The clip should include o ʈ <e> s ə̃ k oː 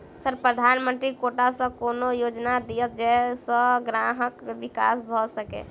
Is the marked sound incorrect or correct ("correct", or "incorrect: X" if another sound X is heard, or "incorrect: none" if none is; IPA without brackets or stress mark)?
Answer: incorrect: a